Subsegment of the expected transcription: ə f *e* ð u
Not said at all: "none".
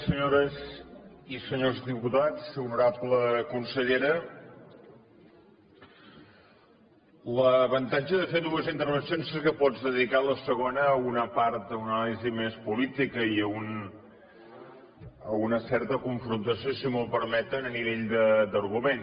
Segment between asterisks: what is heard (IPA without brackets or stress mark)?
e